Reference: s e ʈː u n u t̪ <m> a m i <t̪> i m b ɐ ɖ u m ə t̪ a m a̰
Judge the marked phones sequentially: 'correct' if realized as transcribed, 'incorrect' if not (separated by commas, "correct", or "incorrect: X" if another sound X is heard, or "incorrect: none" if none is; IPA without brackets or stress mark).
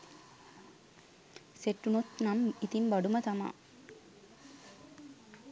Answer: incorrect: n, correct